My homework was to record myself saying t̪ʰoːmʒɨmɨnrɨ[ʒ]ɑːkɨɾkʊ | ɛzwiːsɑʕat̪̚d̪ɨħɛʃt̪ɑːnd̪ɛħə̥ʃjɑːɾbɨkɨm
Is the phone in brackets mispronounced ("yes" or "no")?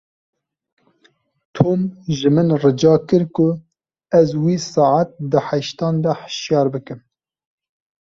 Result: yes